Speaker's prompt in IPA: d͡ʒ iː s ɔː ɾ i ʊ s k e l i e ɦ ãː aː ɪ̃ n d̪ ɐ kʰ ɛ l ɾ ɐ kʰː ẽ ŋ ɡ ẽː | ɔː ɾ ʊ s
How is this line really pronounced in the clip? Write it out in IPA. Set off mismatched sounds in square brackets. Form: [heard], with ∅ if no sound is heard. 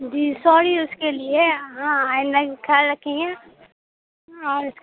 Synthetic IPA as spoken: d͡ʒ iː s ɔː ɾ i ʊ s k e l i e ɦ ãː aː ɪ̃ n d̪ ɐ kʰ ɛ l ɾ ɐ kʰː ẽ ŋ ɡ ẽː | ɔː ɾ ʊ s